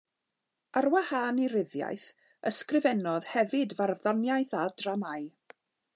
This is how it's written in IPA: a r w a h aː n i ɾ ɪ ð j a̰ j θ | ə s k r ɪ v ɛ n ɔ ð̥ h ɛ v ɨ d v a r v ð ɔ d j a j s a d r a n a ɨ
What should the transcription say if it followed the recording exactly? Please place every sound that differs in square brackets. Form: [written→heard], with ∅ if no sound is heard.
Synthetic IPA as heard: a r w a h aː n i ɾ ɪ ð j a̰ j θ | ə s k r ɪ v ɛ n ɔ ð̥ h ɛ v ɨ d v a r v ð ɔ [d→n] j a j [s→θ] a d r a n a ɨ